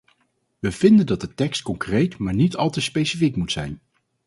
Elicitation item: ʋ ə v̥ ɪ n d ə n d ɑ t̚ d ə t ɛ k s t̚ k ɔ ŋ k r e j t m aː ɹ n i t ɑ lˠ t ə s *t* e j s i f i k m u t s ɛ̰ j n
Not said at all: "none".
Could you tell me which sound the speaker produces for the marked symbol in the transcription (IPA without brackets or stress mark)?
p